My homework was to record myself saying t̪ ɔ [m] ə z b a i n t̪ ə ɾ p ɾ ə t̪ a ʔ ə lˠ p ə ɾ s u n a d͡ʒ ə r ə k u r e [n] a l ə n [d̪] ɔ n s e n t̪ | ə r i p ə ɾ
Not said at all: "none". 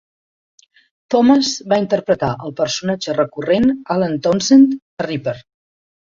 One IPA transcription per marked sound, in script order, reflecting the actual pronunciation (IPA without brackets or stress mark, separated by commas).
m, n, t̪